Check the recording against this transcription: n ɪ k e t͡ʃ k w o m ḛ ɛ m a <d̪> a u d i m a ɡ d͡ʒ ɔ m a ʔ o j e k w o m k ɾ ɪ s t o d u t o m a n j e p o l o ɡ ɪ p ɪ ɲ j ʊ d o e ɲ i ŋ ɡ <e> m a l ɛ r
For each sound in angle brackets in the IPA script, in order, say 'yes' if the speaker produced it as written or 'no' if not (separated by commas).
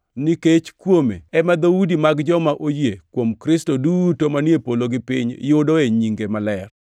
yes, yes